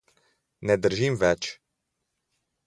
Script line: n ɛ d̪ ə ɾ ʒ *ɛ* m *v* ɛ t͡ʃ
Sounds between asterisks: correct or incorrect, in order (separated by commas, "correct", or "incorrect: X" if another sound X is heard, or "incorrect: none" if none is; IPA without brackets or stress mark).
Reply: incorrect: i, correct